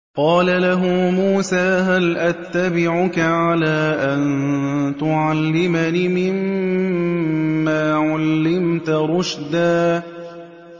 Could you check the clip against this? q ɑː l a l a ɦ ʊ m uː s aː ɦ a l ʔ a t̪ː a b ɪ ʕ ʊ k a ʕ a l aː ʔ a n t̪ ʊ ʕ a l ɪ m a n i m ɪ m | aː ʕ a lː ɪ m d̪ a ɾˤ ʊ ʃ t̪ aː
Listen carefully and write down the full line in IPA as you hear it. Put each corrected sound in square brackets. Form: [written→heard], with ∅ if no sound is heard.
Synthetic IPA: q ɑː l a l a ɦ ʊ m uː s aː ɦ a l ʔ a t̪ː a b ɪ ʕ ʊ k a ʕ a l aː ʔ a n t̪ ʊ ʕ a [l→lː] ɪ m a n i m ɪ m | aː ʕ a lː ɪ m [d̪→t̪] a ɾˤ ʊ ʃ [t̪→d̪] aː